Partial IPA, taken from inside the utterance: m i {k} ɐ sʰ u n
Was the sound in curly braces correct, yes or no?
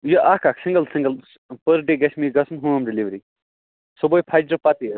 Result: no